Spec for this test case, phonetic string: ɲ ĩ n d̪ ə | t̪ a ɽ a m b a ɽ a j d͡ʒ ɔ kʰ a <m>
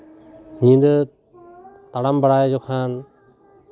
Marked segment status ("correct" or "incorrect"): incorrect